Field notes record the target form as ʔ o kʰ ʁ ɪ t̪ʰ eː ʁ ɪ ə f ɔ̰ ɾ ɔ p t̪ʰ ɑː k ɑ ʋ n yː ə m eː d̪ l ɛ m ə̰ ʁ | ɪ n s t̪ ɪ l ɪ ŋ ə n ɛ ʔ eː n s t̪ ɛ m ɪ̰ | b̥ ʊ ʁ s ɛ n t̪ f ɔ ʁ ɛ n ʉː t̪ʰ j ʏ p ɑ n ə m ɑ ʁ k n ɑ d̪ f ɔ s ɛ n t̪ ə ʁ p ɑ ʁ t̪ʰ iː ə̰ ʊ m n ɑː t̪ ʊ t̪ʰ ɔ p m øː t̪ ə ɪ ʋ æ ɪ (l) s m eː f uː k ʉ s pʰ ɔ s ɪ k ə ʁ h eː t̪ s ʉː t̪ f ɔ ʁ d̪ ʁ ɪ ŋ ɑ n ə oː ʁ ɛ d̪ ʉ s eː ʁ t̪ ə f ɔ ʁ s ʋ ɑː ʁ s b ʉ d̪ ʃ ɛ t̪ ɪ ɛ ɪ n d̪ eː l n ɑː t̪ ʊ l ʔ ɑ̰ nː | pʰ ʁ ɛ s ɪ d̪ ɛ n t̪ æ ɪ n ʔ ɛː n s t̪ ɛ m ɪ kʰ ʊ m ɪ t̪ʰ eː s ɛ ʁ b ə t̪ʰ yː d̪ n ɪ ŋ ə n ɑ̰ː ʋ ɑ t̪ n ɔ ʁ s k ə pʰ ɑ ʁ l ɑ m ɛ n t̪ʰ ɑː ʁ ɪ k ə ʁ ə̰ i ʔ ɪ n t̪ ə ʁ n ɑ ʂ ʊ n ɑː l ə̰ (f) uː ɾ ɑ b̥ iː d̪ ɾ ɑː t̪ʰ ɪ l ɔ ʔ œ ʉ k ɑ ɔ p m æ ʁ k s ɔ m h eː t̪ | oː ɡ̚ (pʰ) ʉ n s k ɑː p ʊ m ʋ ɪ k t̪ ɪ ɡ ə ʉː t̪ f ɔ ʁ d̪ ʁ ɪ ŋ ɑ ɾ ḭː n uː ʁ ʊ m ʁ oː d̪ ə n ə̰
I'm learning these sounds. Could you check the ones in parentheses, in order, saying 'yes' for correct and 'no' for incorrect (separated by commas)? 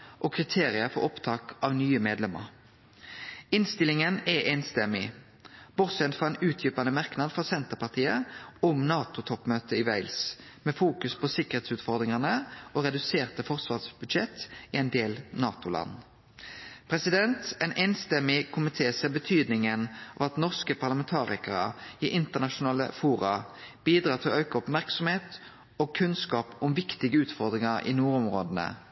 yes, yes, no